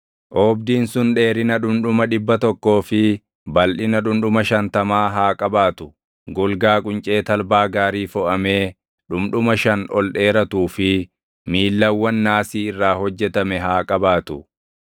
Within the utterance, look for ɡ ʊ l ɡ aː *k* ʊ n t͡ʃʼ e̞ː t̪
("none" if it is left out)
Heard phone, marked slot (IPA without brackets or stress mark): kʼ